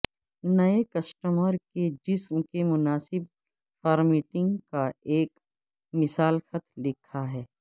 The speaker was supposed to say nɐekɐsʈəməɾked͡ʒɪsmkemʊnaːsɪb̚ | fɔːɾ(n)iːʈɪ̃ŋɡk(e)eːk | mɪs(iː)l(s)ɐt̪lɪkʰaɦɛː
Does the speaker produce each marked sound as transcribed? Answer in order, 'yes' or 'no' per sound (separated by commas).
no, no, no, no